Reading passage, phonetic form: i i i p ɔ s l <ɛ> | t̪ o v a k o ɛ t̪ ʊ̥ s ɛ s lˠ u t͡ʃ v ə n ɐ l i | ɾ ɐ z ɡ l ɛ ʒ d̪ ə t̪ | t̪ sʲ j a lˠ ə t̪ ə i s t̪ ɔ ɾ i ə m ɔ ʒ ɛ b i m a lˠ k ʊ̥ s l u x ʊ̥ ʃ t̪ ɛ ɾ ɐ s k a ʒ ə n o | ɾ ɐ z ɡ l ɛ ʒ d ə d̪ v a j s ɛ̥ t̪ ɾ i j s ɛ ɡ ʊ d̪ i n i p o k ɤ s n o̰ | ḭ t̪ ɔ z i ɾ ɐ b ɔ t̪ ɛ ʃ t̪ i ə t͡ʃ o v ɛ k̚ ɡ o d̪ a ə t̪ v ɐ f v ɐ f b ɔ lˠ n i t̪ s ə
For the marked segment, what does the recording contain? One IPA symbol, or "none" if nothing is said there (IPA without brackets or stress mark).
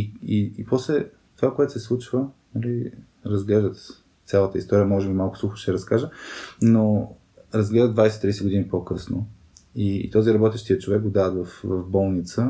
ɛ